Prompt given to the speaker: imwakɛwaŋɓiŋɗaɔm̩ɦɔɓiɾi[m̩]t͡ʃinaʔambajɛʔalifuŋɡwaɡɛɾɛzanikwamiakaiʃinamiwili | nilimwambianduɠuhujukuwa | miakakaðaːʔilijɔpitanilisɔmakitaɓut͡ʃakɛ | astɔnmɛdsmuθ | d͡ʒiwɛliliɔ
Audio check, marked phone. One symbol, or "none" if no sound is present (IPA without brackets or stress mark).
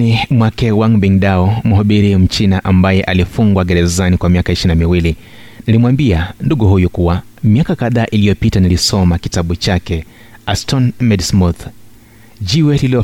m̩